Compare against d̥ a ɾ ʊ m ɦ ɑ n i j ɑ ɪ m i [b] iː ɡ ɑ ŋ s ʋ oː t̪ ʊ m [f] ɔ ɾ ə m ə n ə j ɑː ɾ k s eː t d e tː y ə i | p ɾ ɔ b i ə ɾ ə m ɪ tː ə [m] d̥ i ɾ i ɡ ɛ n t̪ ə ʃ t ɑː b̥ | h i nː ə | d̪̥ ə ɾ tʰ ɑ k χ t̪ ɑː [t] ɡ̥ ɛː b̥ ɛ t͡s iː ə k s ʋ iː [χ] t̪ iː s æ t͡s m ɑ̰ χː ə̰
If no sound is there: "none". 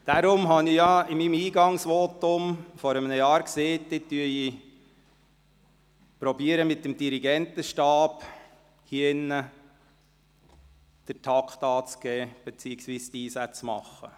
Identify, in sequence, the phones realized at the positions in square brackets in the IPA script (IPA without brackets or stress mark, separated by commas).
m, f, m, t͡s, s